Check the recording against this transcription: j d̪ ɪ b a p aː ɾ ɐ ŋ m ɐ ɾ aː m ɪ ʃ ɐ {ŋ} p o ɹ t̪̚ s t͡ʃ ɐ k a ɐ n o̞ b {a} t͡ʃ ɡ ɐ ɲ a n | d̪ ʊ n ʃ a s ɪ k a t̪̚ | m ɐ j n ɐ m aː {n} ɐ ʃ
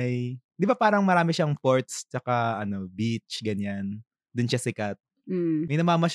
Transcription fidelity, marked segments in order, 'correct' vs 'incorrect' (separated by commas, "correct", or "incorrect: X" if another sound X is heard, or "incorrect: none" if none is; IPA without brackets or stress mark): correct, incorrect: i, incorrect: m